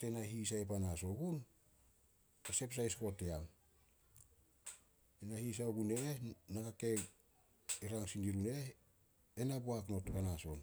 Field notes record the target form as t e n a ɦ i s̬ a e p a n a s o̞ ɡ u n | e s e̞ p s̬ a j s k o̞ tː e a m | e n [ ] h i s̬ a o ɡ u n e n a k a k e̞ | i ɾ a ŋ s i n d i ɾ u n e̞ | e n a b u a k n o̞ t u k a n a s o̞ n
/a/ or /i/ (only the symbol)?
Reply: a